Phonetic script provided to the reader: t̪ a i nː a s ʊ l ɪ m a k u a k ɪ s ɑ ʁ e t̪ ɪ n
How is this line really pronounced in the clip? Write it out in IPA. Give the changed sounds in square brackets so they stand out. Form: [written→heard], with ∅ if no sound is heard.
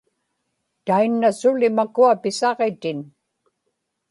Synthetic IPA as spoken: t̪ a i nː a s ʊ l ɪ m a k u a [k→p] ɪ s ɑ ʁ e t̪ ɪ n